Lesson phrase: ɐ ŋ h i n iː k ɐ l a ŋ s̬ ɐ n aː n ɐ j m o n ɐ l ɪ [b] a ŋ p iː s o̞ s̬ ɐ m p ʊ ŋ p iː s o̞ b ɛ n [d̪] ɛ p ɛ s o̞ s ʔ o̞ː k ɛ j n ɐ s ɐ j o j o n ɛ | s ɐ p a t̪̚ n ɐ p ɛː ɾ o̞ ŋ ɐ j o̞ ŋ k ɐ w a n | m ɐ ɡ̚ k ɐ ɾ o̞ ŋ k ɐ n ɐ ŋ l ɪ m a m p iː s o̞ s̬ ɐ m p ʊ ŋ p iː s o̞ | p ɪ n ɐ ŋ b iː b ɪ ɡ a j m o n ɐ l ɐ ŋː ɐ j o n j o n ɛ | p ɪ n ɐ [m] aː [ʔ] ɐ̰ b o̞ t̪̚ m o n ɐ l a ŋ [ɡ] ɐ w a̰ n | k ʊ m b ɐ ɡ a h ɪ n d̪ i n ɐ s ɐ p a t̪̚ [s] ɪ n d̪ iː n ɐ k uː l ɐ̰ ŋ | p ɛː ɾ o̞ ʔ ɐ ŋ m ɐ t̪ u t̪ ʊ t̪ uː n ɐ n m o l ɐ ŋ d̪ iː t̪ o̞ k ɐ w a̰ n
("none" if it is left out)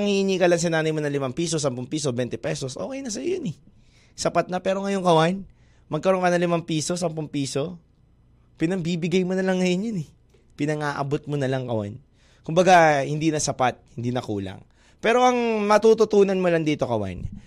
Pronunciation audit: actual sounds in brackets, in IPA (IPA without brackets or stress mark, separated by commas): m, t̪, ŋ, ʔ, k, h